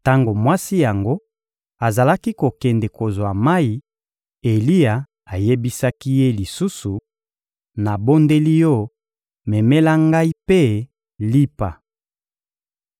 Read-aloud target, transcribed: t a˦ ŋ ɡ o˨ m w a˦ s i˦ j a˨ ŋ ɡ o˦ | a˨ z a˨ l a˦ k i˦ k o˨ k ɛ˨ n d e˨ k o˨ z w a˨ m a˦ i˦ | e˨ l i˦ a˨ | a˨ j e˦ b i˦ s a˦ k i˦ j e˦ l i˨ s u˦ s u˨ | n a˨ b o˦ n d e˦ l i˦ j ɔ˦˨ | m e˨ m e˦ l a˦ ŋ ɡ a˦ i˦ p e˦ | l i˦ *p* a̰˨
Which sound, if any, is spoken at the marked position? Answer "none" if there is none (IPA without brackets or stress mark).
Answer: p